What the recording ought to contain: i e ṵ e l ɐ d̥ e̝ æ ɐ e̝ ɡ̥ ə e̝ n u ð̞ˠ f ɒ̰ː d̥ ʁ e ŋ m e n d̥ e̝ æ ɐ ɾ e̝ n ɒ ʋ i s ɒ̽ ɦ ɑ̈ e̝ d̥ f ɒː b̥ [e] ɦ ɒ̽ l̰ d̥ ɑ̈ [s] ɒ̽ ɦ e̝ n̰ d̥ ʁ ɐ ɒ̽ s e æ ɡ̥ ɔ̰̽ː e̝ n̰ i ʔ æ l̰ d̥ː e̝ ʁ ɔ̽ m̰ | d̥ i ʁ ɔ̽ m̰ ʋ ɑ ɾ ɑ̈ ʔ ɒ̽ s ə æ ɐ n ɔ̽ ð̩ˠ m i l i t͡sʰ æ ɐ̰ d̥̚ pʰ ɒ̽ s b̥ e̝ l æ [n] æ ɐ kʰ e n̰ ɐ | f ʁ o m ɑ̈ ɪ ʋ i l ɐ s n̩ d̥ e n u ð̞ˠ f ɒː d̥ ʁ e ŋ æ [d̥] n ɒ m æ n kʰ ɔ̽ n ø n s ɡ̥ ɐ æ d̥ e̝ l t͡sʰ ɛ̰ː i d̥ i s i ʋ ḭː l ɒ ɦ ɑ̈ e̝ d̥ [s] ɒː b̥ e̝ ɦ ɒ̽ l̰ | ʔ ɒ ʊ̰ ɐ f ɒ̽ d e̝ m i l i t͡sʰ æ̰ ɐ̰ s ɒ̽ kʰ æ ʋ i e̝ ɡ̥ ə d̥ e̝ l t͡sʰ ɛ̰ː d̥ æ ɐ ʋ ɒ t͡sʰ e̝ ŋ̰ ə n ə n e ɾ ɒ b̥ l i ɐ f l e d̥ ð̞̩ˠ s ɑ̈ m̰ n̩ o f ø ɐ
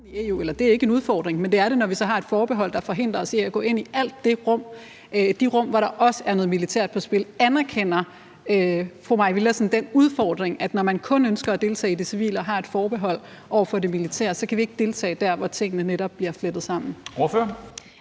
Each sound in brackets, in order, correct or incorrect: correct, incorrect, correct, correct, incorrect

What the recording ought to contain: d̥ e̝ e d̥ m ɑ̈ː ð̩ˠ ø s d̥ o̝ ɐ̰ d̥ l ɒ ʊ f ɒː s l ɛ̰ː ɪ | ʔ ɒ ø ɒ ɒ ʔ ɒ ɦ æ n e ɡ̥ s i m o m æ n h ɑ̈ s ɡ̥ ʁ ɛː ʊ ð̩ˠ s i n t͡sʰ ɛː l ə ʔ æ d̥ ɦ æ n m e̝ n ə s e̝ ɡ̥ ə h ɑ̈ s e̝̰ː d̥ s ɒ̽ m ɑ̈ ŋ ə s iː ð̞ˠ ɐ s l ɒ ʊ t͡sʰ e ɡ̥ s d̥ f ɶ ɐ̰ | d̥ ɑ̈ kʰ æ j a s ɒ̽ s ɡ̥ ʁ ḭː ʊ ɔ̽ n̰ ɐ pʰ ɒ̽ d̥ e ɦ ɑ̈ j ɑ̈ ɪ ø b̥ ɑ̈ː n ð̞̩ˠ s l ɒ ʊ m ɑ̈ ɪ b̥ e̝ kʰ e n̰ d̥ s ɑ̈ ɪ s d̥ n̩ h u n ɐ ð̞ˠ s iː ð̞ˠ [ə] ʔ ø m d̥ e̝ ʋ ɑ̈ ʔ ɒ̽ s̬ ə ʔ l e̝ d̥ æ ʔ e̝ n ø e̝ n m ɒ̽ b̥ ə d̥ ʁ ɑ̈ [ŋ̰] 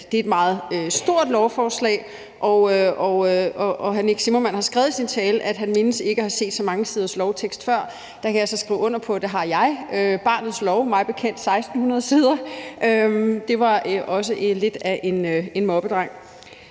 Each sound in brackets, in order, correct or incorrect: incorrect, correct

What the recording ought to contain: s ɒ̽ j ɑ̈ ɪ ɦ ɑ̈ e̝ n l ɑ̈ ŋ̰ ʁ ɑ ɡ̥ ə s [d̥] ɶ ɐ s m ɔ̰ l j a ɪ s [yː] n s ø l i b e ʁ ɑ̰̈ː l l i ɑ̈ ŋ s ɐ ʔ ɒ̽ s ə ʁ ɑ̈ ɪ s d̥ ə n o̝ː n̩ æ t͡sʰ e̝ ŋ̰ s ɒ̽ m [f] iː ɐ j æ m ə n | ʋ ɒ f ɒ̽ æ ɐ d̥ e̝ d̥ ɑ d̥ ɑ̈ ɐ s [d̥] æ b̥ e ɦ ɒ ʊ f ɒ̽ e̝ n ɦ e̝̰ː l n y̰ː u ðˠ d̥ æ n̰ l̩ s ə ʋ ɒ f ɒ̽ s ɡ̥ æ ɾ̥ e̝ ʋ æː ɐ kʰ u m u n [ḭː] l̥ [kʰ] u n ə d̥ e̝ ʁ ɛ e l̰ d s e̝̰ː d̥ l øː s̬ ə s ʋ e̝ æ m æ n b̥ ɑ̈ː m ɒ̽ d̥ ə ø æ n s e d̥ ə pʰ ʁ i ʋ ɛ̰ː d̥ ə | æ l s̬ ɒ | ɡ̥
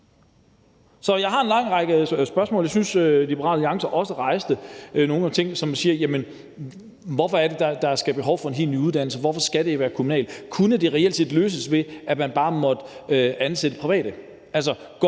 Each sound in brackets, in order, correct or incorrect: incorrect, incorrect, incorrect, incorrect, incorrect, correct

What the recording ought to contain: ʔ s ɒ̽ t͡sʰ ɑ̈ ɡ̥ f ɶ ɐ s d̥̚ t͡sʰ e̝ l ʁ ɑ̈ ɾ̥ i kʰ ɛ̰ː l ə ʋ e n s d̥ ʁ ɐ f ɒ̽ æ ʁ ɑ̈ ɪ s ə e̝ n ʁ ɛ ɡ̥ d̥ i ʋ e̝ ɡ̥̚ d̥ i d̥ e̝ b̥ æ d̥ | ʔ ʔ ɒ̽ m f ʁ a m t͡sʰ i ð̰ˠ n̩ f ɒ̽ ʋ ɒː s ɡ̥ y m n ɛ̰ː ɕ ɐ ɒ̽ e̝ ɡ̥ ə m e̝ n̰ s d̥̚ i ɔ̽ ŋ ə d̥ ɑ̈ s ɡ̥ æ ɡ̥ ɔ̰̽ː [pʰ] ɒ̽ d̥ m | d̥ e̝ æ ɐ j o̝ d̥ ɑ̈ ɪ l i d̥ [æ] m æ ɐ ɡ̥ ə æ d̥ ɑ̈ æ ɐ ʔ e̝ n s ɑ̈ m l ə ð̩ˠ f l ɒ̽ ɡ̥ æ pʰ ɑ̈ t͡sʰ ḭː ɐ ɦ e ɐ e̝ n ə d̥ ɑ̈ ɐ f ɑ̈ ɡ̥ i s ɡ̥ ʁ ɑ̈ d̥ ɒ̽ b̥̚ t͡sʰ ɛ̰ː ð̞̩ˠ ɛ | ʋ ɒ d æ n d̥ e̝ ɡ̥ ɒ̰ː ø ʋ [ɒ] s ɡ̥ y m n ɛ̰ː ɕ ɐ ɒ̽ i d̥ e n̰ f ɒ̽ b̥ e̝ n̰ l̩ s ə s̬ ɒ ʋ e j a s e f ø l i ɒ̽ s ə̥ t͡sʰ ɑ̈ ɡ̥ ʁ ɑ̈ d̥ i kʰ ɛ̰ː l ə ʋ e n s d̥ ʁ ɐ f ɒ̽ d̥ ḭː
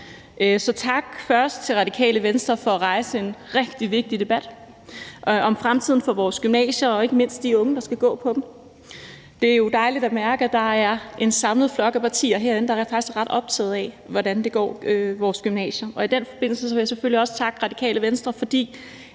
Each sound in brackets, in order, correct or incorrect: correct, correct, incorrect

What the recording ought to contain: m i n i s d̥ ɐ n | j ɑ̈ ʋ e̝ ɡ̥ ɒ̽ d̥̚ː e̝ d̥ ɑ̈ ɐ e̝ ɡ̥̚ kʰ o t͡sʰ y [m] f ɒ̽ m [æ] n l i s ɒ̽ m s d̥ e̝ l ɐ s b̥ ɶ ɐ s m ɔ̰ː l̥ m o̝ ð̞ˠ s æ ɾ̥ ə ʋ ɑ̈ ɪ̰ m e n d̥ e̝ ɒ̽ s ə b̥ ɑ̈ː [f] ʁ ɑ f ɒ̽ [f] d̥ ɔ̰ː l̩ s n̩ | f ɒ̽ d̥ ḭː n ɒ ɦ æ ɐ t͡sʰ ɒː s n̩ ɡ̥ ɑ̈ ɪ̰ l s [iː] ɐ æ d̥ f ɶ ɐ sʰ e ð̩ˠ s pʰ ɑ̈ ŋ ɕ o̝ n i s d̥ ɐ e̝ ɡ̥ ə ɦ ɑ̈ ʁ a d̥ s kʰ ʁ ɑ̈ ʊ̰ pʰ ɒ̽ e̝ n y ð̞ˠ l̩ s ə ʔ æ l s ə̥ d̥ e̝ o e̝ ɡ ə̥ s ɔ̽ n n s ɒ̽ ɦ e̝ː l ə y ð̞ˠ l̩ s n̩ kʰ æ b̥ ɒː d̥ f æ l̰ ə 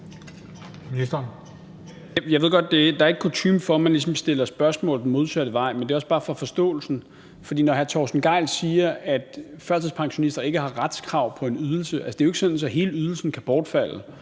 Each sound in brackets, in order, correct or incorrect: correct, correct, correct, incorrect, correct

